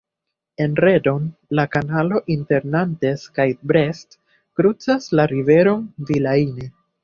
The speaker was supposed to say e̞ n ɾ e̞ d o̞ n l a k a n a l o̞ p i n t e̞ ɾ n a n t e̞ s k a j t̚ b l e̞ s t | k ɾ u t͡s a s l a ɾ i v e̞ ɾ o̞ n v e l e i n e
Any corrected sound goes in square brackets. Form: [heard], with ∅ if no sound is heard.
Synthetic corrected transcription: e̞ n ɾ e̞ d o̞ n l a k a n a l o̞ [ʔ] i n t e̞ ɾ n a n t e̞ s k a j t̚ b [ɾ] e̞ s t | k ɾ u t͡s a s l a ɾ i v e̞ ɾ o̞ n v [i] l [a] i n e